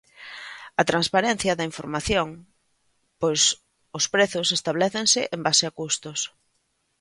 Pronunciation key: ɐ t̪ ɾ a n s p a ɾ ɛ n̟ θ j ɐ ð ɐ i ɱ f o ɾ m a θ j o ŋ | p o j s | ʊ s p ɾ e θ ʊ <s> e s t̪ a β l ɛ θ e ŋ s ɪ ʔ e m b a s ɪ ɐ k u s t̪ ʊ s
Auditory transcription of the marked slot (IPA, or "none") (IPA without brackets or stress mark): s